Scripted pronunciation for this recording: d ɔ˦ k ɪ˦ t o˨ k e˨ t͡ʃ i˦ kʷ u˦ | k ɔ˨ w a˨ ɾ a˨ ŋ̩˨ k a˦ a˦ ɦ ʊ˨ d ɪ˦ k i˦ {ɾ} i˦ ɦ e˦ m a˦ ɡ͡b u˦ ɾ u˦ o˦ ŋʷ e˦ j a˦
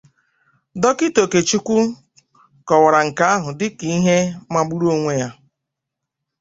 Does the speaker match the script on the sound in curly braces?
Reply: no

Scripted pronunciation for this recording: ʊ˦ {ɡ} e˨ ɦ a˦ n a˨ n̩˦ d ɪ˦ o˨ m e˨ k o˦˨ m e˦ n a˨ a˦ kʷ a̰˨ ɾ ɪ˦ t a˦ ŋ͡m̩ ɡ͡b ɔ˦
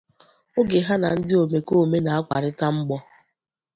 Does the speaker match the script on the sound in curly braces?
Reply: yes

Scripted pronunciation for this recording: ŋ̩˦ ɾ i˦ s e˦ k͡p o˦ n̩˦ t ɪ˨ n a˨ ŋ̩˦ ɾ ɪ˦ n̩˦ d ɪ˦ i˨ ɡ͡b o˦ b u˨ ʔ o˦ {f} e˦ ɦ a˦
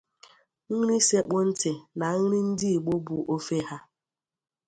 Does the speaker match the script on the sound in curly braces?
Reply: yes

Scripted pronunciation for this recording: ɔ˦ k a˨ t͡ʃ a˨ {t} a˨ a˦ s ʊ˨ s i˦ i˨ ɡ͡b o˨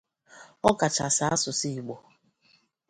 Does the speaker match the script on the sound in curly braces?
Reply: no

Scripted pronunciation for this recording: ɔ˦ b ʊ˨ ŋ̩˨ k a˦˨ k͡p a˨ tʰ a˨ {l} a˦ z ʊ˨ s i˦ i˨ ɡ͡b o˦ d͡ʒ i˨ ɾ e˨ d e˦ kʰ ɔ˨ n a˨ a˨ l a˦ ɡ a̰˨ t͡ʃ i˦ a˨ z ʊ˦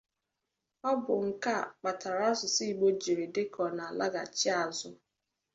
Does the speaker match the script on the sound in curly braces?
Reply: no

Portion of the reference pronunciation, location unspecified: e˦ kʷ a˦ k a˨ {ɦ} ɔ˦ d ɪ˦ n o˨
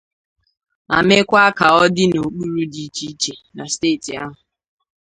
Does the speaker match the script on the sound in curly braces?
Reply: no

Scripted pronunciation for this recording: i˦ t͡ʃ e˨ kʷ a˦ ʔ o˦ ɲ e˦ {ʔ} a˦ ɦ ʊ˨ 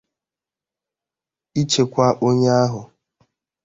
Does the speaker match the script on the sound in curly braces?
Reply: no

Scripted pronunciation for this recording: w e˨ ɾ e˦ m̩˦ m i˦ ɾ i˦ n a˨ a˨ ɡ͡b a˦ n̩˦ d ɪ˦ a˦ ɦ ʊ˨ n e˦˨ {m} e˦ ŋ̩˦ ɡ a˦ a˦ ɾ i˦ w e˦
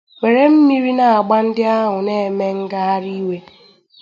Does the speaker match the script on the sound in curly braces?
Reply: yes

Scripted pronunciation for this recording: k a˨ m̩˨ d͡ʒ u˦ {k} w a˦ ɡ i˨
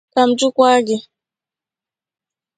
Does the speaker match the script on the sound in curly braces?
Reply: yes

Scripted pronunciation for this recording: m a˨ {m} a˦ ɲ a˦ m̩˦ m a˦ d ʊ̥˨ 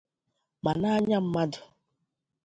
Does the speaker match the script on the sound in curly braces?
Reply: no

